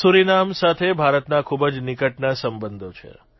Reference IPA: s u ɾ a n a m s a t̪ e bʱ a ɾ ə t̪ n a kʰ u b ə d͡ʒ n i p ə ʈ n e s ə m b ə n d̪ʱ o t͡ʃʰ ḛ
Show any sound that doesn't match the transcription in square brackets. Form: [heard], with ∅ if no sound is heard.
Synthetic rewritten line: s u ɾ [i] n a m s a [t̪ʰ] e bʱ a ɾ ə t̪ n a kʰ u b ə d͡ʒ n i [k] ə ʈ n [a] s ə m b ə n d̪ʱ o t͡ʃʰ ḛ